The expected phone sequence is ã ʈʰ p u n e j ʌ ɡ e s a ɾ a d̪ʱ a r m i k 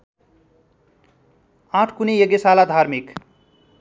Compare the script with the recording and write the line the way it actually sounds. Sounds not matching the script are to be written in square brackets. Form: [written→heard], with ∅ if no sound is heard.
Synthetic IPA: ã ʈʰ [p→k] u n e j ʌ ɡ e s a [ɾ→l] a d̪ʱ a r m i k